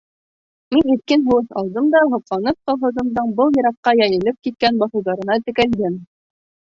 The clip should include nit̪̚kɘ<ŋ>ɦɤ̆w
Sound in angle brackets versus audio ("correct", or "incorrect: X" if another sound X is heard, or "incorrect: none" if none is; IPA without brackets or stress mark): incorrect: n